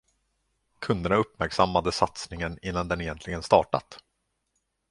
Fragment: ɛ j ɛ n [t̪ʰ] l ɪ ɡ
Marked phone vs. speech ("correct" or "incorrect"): incorrect